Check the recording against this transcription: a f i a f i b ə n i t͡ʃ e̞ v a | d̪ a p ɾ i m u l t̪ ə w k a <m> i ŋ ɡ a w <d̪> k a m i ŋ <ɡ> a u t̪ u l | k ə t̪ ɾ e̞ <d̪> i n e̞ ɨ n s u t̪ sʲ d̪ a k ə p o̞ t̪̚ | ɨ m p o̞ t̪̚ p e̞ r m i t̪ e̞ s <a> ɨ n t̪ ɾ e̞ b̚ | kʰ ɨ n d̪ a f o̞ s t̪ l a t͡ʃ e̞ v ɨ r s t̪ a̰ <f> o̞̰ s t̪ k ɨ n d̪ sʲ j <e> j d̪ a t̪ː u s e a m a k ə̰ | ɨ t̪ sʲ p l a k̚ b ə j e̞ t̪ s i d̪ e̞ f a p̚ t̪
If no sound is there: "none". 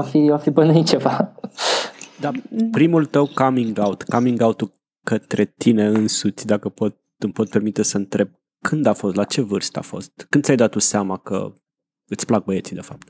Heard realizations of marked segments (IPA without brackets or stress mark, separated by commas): m, t̪, ɡ, t̪, ə, f, a